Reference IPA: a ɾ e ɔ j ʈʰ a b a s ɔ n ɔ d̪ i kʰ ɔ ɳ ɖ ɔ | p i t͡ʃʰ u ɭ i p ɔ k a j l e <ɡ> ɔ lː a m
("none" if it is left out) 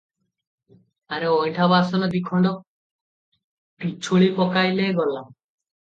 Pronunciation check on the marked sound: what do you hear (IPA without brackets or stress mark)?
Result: ɡ